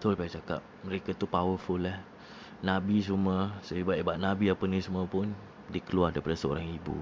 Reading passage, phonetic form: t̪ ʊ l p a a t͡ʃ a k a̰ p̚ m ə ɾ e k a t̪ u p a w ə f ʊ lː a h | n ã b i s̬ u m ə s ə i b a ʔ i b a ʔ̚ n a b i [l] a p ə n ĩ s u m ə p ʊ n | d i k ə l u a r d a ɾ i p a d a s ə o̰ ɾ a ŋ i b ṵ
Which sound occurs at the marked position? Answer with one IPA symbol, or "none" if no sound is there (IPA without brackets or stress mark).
none